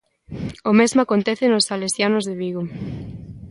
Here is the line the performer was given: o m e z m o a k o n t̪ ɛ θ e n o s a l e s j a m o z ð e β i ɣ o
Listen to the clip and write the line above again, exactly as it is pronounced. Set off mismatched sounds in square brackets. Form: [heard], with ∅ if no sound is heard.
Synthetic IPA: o m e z m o a k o n t̪ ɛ θ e n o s a l e s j a [n] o z ð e β i ɣ o

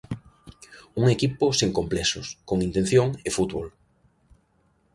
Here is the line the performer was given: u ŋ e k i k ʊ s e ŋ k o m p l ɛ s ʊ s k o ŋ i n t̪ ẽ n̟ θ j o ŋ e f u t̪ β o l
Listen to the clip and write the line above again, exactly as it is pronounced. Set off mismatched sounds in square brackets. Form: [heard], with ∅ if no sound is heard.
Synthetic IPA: u ŋ e k i [p] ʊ s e ŋ k o m p l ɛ s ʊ s k o ŋ i n t̪ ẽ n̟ θ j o ŋ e f u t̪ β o l

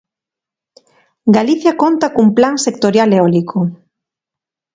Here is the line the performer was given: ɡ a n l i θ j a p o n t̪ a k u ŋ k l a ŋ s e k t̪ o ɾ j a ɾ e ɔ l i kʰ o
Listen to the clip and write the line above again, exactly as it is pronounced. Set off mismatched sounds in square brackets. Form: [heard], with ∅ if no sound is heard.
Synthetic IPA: ɡ a [∅] l i θ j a [k] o n t̪ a k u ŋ [p] l a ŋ s e k t̪ o ɾ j a [l] e ɔ l i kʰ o

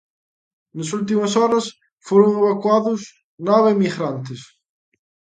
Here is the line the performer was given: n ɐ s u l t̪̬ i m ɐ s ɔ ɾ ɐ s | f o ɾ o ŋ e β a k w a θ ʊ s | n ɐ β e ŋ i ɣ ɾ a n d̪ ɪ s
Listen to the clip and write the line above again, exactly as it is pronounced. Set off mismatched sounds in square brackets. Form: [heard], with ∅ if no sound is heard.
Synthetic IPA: n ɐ s u l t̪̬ i m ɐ s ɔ ɾ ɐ s | f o ɾ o ŋ e β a k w a [ð] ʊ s | n [a] β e [m] i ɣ ɾ a n [t̪] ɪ s

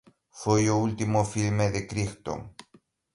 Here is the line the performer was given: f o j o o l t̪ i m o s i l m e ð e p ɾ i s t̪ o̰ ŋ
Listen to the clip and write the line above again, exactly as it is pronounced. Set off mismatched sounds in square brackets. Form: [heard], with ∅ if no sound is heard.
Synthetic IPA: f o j o [u] l t̪ i m o [f] i l m e ð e [k] ɾ i [x] t̪ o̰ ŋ

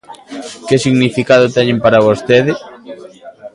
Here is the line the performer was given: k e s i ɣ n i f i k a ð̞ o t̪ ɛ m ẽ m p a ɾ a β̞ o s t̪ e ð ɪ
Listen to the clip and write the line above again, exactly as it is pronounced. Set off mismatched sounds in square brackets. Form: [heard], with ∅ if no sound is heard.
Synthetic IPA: k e s i ɣ n i f i k a ð̞ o t̪ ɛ [ɲ] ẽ m p a ɾ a β̞ o s t̪ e ð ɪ

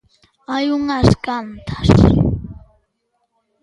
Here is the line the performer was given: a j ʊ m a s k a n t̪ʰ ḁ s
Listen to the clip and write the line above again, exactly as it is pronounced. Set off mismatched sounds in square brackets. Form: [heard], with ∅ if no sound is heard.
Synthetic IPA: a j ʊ [ŋ] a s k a n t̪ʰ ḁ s

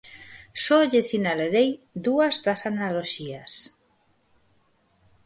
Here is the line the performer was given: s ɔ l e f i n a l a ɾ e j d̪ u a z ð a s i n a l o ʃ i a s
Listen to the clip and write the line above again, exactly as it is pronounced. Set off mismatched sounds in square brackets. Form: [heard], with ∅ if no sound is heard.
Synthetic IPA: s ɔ [ʎ] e [s] i n a l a ɾ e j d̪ u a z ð a s [a] n a l o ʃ i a s

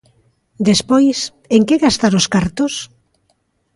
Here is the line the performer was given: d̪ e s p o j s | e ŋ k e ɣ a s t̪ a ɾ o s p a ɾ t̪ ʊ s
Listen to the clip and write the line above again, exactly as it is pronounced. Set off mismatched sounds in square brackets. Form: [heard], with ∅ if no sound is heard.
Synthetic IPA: d̪ e s p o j s | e ŋ k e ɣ a s t̪ a ɾ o s [k] a ɾ t̪ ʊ s

